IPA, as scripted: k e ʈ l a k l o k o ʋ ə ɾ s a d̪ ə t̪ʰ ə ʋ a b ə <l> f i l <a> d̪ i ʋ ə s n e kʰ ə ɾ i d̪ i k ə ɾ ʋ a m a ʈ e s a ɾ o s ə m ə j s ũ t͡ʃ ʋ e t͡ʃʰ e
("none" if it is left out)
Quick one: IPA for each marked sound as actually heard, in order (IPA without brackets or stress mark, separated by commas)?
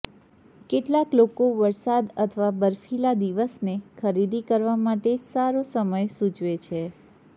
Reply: ɾ, a